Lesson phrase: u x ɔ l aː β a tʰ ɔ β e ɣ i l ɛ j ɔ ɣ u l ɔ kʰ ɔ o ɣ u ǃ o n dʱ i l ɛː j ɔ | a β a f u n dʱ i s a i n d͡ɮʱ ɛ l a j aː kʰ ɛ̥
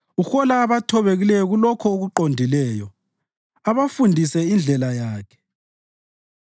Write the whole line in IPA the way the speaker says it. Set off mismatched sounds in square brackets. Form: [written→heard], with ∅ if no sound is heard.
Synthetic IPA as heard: u x ɔ l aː β a tʰ ɔ β e ɣ i l ɛ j ɔ ɣ u l ɔ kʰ ɔ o ɣ u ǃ o n dʱ i l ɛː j ɔ | a β a f u n dʱ i s [a→ɛ] i n d͡ɮʱ ɛ l a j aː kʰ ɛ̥